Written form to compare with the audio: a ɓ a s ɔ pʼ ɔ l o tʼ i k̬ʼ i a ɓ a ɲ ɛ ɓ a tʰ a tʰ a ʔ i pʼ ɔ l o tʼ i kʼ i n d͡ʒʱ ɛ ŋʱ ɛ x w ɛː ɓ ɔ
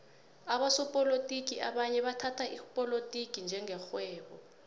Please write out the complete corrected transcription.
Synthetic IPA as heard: a ɓ a s ɔ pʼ ɔ l o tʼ i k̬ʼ i a ɓ a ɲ ɛ ɓ a tʰ a tʰ a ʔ i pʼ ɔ l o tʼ i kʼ i n d͡ʒʱ ɛ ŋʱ ɛ x w ɛː ɓ ɔ